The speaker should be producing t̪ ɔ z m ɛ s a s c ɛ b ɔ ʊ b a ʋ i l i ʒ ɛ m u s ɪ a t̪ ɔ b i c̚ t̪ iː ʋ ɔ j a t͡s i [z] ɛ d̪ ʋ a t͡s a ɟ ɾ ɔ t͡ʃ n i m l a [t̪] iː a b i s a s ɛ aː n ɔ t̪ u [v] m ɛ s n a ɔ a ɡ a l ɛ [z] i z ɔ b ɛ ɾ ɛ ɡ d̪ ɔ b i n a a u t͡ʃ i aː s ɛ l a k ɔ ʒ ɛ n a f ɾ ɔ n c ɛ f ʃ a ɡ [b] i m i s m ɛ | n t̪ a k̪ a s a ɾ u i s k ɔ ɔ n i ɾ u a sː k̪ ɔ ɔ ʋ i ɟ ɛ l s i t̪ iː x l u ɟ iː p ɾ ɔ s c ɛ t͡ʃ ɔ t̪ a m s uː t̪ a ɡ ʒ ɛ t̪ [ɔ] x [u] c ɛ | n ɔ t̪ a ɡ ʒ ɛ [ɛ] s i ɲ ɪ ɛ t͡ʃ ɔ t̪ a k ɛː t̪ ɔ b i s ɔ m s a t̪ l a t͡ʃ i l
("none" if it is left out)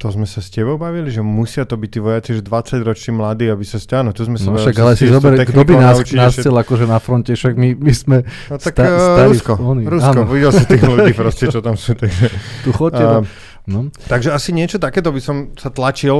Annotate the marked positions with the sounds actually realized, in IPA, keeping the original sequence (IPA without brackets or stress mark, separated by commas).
ʒ, d̪, z, s, m, u, ɔ, a